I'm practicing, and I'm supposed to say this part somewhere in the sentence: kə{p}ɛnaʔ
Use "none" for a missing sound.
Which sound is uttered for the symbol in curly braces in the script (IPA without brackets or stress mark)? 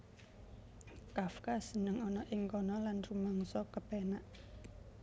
p